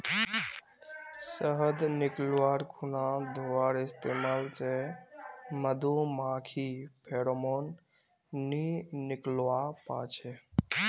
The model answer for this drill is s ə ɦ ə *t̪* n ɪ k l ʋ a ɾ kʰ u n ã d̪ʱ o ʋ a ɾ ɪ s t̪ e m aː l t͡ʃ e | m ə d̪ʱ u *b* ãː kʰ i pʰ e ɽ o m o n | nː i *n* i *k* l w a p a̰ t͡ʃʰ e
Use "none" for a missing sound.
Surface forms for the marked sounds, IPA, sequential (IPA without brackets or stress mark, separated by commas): d̪, m, n, k